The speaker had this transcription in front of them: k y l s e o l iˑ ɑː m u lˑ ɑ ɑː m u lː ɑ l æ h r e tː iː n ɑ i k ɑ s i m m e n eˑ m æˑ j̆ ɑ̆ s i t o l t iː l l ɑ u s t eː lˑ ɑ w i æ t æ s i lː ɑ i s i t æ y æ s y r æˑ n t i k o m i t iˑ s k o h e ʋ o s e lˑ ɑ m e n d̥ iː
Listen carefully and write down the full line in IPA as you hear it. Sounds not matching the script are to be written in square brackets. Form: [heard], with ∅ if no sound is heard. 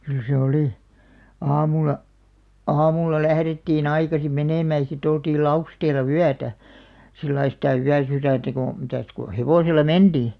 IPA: k y l s e o l iˑ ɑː m u lˑ ɑ ɑː m u lː ɑ l æ h r e tː iː n ɑ i k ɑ s i m m e n eˑ m æˑ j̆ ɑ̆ s i t o l t iː l l ɑ u s t eː lˑ ɑ w [y] æ t æ s i lː ɑ i s i t æ y æ s y r æˑ n t [æ] k o m i t [æˑ] s k o h e ʋ o s e lˑ ɑ m e n d̥ iː